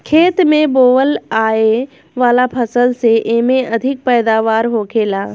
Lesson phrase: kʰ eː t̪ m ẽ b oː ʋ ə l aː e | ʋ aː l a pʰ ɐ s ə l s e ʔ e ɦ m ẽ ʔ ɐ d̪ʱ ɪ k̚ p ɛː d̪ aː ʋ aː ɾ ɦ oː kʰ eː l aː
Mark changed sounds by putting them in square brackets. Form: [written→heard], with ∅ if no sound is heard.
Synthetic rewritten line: kʰ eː t̪ m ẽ b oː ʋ ə l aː e | ʋ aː l a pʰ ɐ s ə l s e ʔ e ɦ m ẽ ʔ ɐ d̪ʱ ɪ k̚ p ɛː d̪ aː ʋ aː ɾ ɦ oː kʰ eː l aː